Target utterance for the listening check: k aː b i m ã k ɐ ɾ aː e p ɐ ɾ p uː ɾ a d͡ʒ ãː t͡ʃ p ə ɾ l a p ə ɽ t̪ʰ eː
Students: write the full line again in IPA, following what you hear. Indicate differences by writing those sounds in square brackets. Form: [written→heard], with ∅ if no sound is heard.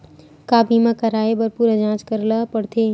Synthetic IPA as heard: k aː b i m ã k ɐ ɾ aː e [p→b] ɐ ɾ p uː ɾ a d͡ʒ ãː t͡ʃ [p→k] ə ɾ l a p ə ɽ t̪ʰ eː